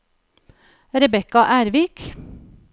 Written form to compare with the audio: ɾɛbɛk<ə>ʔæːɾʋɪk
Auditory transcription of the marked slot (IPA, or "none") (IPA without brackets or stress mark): ɑ